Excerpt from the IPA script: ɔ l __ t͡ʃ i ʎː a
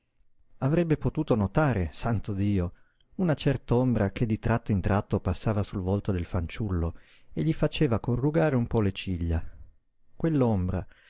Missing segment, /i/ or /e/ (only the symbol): e